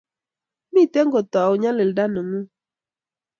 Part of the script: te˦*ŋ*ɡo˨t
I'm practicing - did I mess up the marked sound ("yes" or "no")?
no